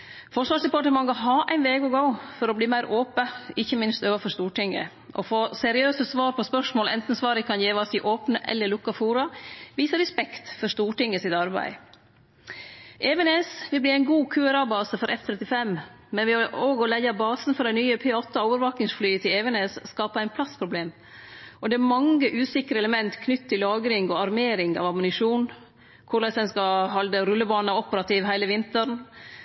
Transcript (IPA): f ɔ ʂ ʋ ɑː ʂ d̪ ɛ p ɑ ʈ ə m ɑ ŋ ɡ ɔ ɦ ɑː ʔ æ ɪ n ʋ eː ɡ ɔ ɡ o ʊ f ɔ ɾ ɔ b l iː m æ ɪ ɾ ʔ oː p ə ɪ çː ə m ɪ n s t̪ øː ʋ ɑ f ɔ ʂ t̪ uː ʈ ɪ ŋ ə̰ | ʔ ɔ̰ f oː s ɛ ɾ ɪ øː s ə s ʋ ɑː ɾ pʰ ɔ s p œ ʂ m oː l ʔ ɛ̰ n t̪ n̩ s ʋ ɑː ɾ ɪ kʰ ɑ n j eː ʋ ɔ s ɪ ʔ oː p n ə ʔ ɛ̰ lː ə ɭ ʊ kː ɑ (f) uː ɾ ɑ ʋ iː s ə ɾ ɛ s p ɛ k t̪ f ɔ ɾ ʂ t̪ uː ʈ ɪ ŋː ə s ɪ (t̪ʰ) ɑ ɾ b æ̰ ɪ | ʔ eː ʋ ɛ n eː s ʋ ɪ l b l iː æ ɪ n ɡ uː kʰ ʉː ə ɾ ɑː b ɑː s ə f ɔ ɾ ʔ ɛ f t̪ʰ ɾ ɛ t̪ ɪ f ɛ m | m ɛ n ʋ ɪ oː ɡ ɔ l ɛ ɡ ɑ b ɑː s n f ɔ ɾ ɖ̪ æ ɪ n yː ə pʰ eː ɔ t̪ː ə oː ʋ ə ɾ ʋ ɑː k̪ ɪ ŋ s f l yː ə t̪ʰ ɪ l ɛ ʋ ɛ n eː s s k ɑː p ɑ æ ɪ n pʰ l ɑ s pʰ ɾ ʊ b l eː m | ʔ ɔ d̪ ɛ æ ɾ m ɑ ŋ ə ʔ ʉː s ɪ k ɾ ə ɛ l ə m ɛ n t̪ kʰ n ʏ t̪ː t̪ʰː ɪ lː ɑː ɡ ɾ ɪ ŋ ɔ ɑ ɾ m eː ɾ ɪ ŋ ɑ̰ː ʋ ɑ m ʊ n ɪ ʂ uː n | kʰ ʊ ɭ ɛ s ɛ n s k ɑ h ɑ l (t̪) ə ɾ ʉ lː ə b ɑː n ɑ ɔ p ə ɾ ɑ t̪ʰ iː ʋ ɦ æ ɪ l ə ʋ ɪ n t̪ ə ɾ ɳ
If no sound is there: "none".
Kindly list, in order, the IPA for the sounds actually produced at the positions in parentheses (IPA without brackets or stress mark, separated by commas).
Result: f, t̪, d̪